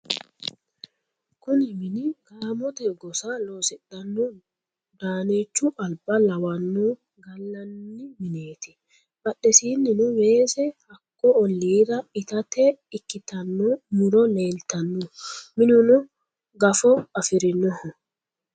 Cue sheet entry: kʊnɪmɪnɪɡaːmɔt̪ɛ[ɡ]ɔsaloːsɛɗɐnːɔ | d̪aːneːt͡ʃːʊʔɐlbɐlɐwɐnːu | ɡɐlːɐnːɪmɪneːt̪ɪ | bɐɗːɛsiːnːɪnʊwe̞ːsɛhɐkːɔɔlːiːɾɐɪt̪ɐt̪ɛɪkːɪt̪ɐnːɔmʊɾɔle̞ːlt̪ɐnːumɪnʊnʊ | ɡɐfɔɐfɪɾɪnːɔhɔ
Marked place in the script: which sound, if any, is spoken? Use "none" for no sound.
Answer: ɡ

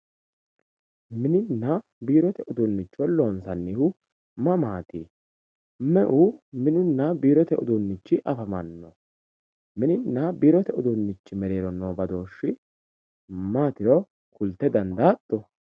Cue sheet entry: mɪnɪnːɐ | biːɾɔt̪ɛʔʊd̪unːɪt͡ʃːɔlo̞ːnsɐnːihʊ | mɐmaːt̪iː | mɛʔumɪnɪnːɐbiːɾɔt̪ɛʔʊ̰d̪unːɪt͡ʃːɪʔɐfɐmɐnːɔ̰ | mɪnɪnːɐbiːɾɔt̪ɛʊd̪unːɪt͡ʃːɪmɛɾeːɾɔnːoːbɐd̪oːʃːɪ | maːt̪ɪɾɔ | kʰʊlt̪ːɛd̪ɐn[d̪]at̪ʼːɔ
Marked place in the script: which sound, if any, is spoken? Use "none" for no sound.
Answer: d̪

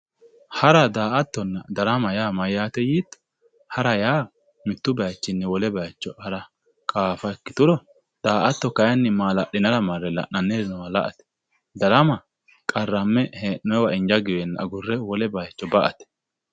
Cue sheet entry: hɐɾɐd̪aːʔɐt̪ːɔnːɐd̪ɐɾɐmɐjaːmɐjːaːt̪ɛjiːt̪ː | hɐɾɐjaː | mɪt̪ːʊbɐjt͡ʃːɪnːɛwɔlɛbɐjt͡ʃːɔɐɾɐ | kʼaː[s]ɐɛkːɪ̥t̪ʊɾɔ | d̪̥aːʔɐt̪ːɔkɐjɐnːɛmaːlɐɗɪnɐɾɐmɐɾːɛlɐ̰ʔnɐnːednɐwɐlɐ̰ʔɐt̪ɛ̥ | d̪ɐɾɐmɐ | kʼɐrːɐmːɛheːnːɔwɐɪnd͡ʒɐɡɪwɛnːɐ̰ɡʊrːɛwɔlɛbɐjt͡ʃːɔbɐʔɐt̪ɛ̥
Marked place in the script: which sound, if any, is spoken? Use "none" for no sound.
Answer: f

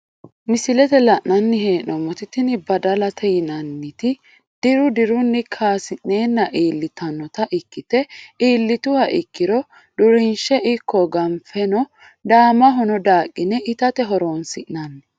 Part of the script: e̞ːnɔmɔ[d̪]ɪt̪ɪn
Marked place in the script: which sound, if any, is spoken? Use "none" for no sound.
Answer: t̪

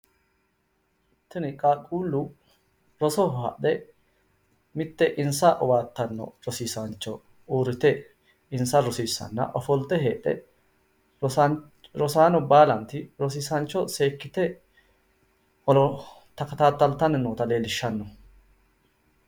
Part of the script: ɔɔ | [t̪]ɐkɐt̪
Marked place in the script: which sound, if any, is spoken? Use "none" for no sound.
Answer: t̪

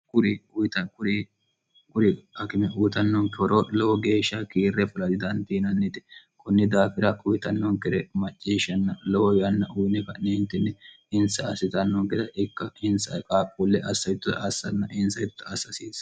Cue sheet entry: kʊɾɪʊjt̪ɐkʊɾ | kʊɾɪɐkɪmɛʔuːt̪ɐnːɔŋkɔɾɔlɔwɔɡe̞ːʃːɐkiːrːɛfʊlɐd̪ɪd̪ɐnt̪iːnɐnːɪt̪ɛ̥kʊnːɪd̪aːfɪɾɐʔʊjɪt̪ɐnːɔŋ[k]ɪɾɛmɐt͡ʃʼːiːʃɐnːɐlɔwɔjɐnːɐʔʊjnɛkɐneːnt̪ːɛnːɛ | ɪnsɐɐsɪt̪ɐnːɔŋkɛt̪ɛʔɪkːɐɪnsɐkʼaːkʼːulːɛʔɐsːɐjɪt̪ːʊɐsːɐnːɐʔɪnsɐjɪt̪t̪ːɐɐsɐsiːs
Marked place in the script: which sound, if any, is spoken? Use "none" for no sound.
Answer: k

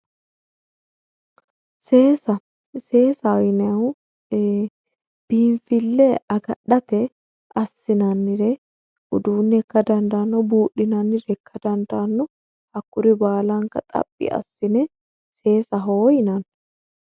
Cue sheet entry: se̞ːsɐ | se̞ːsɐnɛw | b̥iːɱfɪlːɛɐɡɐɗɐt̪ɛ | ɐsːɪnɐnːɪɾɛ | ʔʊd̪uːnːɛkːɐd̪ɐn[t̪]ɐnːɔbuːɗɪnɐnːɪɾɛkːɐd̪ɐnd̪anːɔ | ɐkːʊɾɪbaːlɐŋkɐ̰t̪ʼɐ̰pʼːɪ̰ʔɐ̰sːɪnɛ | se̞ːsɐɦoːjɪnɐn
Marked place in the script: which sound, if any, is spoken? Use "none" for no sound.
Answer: d̪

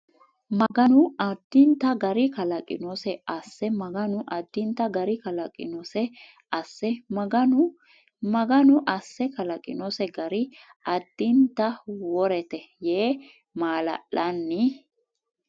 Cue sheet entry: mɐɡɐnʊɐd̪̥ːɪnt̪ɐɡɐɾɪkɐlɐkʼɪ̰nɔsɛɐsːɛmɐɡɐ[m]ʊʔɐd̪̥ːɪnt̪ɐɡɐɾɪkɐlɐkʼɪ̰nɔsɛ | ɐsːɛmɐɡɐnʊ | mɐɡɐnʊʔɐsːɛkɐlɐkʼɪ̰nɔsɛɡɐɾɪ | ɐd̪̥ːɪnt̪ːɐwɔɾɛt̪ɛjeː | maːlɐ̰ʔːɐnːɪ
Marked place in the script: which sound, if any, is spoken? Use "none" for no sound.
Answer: n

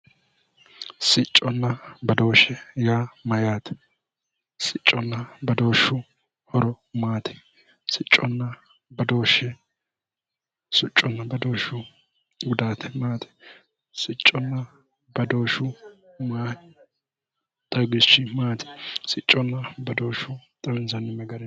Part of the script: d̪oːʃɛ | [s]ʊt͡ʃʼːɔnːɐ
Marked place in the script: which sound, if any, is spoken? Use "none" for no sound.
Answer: s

